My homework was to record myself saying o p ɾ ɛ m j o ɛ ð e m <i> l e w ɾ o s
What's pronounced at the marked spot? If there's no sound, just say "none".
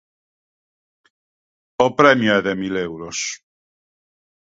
i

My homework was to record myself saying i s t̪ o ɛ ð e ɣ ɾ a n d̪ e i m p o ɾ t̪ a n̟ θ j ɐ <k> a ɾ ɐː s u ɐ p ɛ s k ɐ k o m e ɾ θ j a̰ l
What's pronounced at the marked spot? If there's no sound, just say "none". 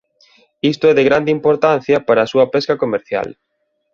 p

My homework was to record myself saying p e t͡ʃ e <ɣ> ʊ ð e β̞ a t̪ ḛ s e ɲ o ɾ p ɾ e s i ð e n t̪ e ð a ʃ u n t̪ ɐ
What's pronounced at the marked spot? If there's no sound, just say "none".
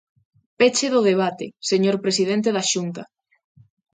ð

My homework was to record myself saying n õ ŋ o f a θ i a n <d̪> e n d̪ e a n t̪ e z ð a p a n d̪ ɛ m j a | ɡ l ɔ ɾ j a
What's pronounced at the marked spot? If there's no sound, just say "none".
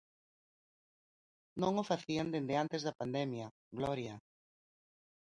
d̪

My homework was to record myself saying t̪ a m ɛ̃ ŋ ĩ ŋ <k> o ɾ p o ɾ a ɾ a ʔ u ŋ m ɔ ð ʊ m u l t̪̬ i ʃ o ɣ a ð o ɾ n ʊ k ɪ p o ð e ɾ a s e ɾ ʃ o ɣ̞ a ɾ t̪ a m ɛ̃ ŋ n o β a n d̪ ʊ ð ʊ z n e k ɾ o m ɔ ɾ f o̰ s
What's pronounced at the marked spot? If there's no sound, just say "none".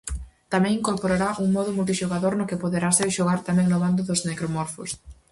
k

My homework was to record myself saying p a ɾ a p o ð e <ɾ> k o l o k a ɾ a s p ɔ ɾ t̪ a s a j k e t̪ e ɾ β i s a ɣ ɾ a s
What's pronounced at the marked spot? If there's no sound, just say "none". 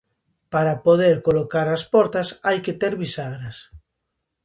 ɾ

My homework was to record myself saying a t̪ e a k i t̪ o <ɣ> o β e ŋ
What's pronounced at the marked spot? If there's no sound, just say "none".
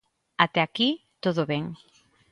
ð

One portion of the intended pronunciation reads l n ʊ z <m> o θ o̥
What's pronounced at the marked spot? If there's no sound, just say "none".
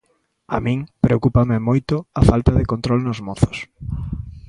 m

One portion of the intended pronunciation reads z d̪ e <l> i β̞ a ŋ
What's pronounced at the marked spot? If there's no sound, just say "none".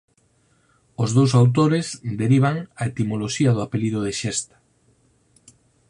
ɾ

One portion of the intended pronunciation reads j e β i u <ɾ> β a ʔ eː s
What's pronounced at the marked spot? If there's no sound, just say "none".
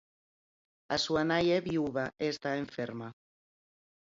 none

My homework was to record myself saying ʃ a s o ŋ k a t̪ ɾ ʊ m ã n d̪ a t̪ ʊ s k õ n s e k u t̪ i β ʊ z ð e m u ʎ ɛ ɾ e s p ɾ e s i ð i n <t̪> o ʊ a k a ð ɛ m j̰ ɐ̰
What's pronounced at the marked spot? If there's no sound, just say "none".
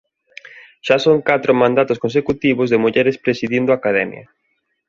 d̪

